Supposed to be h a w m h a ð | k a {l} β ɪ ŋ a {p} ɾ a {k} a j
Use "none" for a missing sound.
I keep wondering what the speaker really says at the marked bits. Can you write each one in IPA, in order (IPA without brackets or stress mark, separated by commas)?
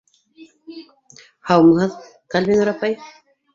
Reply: l, none, p